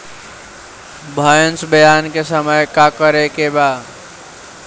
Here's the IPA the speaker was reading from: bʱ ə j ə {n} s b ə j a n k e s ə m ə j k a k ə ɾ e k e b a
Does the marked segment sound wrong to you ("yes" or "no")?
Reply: no